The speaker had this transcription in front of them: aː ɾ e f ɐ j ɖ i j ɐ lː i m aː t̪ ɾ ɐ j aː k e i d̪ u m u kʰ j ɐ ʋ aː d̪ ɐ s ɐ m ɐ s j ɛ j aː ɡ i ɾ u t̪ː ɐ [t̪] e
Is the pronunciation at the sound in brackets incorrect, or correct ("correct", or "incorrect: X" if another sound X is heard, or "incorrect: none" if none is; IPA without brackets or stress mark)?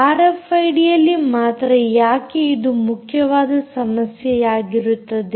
incorrect: d̪